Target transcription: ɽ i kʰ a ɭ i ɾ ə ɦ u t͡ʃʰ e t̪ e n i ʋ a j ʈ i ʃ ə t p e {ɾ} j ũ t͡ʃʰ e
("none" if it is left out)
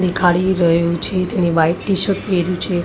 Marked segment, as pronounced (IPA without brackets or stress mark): ɾ